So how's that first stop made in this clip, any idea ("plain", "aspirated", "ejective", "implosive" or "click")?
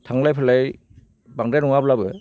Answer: aspirated